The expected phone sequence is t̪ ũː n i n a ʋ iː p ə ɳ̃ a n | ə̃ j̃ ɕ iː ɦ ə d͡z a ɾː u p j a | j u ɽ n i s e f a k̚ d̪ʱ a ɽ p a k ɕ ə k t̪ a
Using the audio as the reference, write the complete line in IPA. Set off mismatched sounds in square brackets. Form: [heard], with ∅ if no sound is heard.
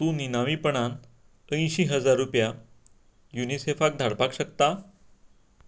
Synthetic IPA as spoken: t̪ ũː n i n a ʋ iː p ə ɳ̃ a n | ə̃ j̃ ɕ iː ɦ ə d͡z a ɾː u p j a | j u [∅] n i s e f a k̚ d̪ʱ a ɽ p a k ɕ ə k t̪ a